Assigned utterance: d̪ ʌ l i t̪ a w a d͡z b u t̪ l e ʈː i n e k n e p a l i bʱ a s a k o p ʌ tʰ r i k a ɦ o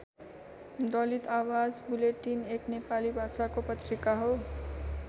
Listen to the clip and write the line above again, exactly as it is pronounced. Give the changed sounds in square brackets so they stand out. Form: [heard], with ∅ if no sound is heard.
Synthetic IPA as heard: d̪ ʌ l i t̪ a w a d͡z b u [∅] l e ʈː i n e k n e p a l i bʱ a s a k o p ʌ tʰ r i k a ɦ o